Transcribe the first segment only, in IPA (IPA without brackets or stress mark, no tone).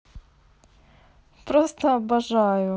p